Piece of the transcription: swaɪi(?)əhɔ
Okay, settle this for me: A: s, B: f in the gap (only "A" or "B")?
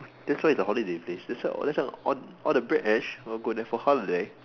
A